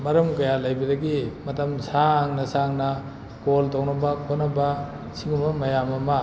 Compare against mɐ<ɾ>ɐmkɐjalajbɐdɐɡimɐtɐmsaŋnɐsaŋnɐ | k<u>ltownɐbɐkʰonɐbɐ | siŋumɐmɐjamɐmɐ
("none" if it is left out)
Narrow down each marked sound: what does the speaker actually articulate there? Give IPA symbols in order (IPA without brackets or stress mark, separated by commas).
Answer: ɾ, o